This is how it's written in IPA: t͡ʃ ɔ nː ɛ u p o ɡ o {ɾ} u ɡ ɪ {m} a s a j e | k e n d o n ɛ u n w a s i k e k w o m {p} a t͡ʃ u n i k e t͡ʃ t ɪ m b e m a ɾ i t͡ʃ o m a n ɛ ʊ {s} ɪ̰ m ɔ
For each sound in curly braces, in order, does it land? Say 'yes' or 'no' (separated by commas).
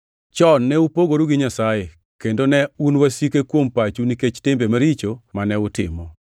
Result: yes, no, yes, no